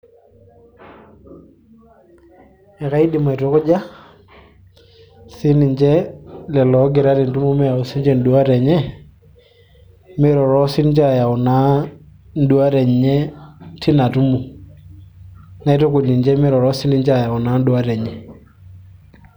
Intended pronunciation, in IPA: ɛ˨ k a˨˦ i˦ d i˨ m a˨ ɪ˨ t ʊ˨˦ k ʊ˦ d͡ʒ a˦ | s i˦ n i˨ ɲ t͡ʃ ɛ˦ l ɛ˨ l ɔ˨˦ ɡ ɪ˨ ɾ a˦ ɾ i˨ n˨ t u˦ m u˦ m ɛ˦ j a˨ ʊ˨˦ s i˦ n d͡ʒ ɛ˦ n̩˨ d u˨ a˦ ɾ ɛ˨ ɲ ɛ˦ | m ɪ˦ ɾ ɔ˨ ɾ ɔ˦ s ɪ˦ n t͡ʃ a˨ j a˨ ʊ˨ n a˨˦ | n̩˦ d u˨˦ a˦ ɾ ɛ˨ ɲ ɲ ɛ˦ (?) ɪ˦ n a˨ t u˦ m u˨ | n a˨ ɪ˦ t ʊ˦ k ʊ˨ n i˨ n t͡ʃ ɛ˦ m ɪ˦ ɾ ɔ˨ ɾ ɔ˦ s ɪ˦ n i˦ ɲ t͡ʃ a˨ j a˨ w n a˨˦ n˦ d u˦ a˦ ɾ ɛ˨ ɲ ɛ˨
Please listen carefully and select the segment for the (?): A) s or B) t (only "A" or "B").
B